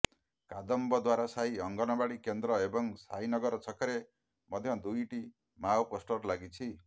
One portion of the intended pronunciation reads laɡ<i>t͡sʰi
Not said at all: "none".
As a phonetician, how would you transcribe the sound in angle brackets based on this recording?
i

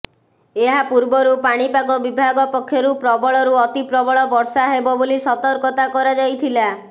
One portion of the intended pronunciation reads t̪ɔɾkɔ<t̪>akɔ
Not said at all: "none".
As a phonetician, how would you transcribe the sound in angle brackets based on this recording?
t̪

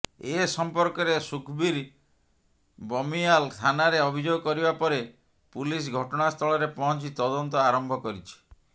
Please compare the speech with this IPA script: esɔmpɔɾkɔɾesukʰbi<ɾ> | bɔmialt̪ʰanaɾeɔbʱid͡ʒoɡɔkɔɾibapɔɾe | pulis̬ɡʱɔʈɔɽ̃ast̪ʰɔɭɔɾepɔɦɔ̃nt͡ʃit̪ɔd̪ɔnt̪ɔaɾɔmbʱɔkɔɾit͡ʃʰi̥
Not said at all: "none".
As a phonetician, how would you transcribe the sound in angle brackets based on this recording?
ɾ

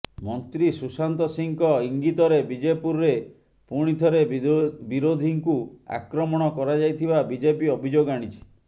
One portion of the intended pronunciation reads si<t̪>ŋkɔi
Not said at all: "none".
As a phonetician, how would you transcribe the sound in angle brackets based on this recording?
none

